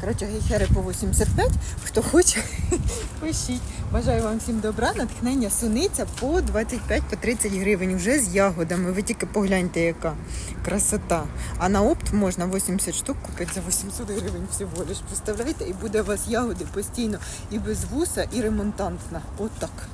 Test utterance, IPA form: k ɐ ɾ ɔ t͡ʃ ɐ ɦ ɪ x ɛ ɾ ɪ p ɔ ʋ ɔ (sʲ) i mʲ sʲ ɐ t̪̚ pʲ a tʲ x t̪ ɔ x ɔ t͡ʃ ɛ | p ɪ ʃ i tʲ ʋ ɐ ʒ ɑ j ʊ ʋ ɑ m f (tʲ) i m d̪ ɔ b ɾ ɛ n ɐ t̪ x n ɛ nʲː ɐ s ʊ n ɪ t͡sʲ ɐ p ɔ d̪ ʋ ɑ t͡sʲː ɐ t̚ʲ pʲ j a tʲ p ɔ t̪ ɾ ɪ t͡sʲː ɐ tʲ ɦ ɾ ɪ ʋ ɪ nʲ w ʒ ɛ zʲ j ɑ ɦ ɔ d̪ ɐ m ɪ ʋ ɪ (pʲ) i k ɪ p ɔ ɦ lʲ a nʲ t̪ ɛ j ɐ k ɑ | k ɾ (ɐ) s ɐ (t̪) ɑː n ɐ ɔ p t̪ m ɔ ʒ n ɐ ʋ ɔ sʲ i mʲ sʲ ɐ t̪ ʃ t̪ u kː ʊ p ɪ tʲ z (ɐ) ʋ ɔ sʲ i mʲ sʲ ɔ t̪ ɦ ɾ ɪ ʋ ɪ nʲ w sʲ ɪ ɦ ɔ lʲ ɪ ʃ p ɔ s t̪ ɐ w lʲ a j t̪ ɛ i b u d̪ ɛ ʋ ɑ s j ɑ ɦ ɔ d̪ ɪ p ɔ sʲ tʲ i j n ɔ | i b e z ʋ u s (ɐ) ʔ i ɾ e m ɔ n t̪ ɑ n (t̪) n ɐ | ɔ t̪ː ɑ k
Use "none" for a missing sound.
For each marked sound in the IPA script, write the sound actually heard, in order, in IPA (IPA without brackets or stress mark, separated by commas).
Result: sʲ, sʲ, tʲ, ɐ, t̪, ɐ, ɐ, t̪